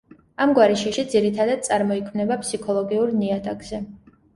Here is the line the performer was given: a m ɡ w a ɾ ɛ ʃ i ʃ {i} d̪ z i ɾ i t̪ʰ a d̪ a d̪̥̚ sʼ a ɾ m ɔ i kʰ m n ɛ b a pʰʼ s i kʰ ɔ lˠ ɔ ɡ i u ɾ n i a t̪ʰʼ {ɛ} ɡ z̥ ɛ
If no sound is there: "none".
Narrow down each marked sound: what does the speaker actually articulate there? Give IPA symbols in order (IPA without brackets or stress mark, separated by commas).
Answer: i, a